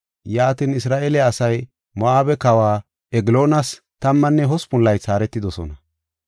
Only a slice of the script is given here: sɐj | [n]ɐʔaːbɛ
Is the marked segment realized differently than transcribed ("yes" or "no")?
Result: yes